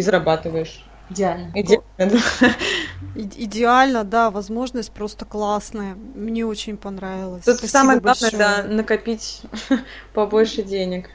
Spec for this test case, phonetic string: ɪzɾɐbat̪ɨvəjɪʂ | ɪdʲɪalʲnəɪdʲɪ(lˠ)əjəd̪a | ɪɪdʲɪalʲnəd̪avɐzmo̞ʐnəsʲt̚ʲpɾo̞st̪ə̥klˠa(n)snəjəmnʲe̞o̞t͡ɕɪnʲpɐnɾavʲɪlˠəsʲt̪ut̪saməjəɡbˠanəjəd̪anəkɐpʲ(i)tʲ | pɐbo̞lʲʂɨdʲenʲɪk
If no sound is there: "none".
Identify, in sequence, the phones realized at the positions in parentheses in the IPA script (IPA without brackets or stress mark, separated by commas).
none, none, i